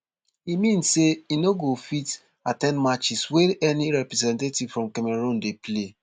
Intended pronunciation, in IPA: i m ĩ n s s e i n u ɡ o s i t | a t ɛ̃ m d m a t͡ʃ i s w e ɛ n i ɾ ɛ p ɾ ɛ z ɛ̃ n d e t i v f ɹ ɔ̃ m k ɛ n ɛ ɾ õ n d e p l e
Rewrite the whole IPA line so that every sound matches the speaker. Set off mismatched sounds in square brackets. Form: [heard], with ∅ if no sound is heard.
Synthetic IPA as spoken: i m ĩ n s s e i n [o] ɡ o [f] i t | a t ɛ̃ [n] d m a t͡ʃ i s w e ɛ n i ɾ ɛ p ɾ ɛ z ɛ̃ n [t] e t i v f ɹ ɔ̃ m k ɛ [m] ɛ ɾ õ n d e p l e